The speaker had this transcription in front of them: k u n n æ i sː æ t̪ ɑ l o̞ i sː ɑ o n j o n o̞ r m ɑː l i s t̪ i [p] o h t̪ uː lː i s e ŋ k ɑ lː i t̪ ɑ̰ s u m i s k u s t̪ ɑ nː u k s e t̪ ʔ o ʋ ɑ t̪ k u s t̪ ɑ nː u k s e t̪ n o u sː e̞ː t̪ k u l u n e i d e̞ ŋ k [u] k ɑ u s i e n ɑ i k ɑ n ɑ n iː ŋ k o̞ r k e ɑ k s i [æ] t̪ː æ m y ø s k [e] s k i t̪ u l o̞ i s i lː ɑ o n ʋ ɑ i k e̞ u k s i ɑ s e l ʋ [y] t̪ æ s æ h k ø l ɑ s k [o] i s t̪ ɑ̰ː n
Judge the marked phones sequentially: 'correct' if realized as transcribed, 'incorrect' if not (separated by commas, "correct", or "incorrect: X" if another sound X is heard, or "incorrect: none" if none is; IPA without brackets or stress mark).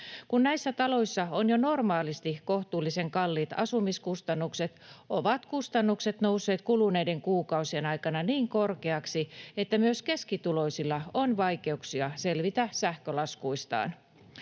incorrect: k, incorrect: uː, incorrect: e, correct, incorrect: i, incorrect: u